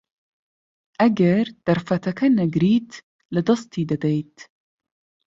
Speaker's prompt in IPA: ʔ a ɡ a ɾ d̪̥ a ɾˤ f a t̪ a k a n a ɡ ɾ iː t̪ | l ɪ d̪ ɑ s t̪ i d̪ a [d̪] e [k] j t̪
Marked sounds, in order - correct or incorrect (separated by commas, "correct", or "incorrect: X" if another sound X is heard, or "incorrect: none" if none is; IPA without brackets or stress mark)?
correct, incorrect: none